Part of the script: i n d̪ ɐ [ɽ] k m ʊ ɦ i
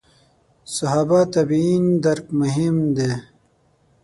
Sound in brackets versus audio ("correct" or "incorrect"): incorrect